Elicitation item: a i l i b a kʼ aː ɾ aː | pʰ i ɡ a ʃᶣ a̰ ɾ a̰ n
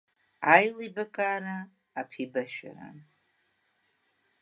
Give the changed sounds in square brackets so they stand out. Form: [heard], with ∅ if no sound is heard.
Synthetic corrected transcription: a [j] l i b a kʼ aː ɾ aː | pʰ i [b] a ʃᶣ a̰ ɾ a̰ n